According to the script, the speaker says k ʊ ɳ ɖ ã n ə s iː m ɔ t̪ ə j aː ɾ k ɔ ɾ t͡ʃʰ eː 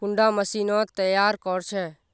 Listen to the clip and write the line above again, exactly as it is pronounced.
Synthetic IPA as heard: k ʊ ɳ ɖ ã m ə s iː n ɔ t̪ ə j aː ɾ k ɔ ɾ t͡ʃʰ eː